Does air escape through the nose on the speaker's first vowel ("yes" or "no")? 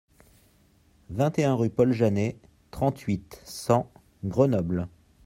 yes